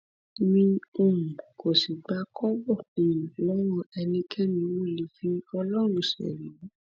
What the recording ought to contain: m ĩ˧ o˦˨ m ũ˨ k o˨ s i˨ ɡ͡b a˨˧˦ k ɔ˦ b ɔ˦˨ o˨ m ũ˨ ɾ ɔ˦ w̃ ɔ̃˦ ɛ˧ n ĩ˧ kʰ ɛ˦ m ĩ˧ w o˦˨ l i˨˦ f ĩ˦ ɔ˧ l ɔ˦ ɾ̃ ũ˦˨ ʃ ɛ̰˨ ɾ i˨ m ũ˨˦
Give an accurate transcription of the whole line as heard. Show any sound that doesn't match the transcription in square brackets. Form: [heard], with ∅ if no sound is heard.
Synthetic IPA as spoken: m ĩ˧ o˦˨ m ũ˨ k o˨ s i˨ ɡ͡b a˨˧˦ k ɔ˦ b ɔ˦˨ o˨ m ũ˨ [l] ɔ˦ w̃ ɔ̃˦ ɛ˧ n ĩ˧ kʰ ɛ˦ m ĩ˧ w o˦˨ l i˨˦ f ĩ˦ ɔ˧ l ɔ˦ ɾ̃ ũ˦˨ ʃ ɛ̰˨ ɾ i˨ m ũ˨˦